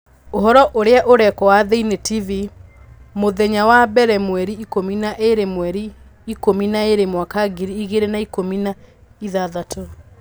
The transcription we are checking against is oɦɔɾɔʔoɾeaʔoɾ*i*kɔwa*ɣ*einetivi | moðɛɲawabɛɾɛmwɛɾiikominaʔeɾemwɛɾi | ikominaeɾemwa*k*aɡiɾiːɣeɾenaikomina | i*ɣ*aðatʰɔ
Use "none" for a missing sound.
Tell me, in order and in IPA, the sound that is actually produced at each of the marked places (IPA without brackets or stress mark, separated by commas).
ɛ, ð, k, ð